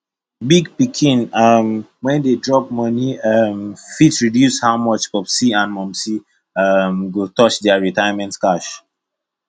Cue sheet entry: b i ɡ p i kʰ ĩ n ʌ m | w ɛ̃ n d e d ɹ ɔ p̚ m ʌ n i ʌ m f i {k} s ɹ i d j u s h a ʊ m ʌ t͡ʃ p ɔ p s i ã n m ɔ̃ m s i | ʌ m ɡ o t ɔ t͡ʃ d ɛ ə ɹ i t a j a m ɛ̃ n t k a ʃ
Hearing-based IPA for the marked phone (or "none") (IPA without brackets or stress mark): t